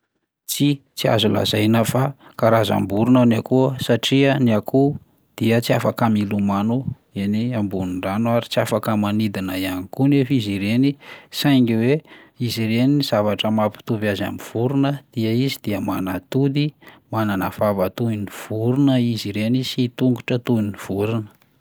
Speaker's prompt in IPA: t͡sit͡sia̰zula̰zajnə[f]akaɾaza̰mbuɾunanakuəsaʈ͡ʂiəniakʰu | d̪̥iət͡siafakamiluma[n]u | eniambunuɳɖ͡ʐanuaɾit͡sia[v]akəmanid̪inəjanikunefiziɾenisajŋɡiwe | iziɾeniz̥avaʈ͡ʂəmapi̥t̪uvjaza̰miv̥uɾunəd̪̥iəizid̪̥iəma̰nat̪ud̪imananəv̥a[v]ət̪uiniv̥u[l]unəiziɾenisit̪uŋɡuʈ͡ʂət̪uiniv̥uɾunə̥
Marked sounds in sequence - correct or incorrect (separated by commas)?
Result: correct, correct, incorrect, correct, incorrect